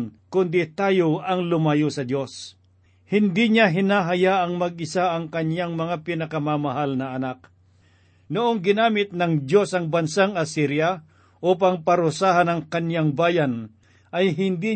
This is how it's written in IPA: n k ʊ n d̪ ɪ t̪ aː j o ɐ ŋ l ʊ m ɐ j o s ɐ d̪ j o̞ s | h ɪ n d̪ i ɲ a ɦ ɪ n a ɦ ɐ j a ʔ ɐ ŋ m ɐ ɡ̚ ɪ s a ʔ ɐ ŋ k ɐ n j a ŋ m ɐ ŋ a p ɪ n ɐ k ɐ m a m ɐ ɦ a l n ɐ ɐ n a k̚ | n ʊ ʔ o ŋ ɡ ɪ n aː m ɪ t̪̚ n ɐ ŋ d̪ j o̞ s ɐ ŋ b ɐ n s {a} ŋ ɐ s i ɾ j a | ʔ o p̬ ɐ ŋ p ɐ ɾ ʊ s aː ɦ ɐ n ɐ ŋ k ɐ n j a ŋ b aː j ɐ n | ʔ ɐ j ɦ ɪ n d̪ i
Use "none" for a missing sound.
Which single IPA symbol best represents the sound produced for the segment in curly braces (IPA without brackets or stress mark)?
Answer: a